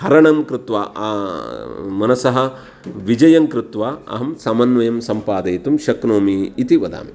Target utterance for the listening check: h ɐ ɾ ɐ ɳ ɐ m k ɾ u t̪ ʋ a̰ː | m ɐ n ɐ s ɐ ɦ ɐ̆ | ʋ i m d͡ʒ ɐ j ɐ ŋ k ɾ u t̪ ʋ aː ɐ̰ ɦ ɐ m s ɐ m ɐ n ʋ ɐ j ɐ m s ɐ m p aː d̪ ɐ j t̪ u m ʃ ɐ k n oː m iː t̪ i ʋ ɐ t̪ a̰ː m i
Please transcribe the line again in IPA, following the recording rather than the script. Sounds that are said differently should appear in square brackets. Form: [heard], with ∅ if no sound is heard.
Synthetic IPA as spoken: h ɐ ɾ ɐ ɳ ɐ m k ɾ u t̪ ʋ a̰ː | m ɐ n ɐ s ɐ ɦ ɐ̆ | ʋ i [∅] d͡ʒ ɐ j ɐ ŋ k ɾ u t̪ ʋ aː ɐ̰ ɦ ɐ m s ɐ m ɐ n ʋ ɐ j ɐ m s ɐ m p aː d̪ ɐ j t̪ u m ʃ ɐ k n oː m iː t̪ i ʋ ɐ [d̪] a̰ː m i

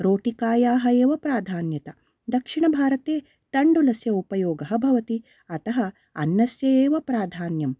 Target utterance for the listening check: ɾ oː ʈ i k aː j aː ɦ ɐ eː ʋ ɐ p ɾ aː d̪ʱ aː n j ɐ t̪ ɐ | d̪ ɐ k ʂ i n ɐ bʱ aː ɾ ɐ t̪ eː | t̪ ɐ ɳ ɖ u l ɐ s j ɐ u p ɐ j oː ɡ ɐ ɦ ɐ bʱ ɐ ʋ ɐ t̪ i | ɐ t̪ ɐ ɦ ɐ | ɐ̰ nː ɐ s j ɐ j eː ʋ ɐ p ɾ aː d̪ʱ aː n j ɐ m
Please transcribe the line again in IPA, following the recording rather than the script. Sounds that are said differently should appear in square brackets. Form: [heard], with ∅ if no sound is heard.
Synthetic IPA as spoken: ɾ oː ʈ i k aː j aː ɦ ɐ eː ʋ ɐ p ɾ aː d̪ʱ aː n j ɐ t̪ ɐ | d̪ ɐ k ʂ i [ɳ] ɐ bʱ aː ɾ ɐ t̪ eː | t̪ ɐ ɳ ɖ u l ɐ s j ɐ u p ɐ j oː ɡ ɐ ɦ ɐ bʱ ɐ ʋ ɐ t̪ i | ɐ t̪ ɐ ɦ ɐ | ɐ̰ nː ɐ s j ɐ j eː ʋ ɐ p ɾ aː d̪ʱ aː n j ɐ m

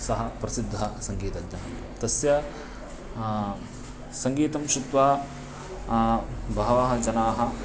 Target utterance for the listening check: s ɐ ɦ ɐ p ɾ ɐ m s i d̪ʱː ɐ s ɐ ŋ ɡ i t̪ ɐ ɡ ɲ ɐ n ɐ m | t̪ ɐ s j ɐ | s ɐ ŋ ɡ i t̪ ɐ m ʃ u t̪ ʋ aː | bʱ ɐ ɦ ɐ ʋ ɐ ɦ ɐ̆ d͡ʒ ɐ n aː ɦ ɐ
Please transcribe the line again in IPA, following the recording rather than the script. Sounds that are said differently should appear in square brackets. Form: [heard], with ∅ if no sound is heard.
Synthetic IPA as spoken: s ɐ ɦ ɐ p ɾ ɐ [∅] s i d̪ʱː ɐ s ɐ ŋ ɡ [iː] t̪ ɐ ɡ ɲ ɐ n ɐ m | t̪ ɐ s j ɐ | s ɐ ŋ ɡ [iː] t̪ ɐ m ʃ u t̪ ʋ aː | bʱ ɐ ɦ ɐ ʋ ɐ ɦ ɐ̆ d͡ʒ ɐ n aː ɦ ɐ

